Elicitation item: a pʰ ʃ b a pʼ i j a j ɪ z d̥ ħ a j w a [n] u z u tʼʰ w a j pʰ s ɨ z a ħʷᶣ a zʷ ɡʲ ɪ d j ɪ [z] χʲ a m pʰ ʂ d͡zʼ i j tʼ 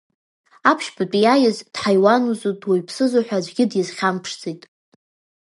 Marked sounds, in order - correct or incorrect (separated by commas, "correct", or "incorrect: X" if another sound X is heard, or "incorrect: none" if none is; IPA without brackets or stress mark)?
correct, correct